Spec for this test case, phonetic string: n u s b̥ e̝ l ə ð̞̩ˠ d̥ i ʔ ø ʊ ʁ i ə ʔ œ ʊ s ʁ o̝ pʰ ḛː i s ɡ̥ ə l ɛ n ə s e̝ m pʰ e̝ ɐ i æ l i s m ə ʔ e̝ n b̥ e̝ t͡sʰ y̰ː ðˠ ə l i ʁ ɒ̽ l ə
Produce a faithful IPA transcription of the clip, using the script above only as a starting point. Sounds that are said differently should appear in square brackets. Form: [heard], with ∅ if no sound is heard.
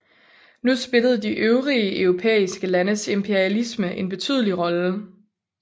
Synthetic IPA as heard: n u s b̥ e̝ l ə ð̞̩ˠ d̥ i ʔ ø ʊ ʁ i ə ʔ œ ʊ [∅] ʁ o̝ pʰ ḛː i s ɡ̥ ə l [æ] n ə s e̝ m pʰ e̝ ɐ i æ l i s m ə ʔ e̝ n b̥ e̝ t͡sʰ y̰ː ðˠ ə l i ʁ ɒ̽ l ə